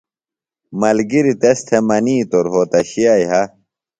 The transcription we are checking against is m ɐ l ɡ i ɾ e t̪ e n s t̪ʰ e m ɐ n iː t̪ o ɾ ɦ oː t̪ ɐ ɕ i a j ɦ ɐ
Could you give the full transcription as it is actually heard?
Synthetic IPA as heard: m ɐ l ɡ i ɾ i t̪ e s t̪ʰ e m ɐ n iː t̪ o ɾ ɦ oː t̪ ɐ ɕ i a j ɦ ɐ